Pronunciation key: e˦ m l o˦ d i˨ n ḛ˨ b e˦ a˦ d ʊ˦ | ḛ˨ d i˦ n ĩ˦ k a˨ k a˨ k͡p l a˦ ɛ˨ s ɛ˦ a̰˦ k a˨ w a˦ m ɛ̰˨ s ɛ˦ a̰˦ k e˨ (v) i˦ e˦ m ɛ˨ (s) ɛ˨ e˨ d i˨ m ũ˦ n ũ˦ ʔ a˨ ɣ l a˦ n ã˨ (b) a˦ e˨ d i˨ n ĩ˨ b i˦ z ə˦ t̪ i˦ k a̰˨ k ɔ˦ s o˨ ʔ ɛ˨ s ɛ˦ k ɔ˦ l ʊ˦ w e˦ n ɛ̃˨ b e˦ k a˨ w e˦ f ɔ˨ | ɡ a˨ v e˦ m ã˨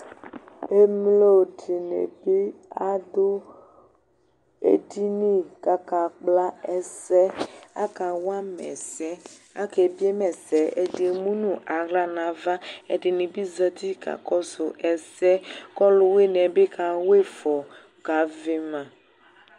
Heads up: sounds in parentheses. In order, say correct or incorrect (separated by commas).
incorrect, correct, incorrect